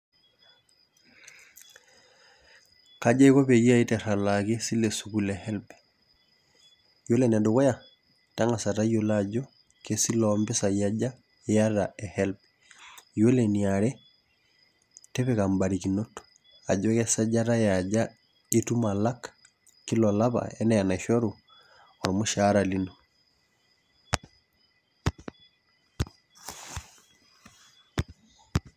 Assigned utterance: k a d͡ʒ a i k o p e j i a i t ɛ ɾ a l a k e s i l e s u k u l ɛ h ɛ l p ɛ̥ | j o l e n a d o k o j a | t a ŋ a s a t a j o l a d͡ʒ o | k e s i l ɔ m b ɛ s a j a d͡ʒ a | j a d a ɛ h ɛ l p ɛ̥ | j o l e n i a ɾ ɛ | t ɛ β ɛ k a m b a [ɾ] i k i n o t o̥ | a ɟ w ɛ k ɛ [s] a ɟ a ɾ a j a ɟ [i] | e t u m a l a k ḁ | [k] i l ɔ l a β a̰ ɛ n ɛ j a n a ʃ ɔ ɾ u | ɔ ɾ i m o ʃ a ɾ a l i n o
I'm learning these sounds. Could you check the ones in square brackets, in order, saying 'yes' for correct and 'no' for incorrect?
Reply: yes, yes, no, yes

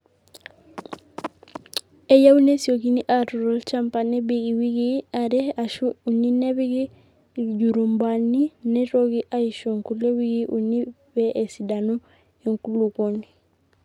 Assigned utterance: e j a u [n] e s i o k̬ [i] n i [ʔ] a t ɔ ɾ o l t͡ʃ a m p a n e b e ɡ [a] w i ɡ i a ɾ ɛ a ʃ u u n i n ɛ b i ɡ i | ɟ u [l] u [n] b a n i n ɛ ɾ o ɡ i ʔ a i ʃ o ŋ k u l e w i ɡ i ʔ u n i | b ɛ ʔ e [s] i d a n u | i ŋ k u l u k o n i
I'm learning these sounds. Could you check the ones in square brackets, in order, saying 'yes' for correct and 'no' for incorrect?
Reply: yes, yes, yes, no, no, no, yes

